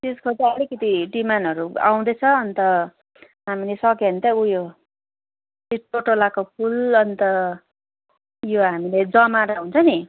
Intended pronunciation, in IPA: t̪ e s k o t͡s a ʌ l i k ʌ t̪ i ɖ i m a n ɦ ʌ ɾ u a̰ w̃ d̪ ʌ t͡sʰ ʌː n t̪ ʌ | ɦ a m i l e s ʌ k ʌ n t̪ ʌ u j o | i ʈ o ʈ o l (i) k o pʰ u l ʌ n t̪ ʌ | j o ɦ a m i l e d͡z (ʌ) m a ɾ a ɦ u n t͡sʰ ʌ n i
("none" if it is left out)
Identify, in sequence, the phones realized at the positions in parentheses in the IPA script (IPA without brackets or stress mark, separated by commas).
a, ʌ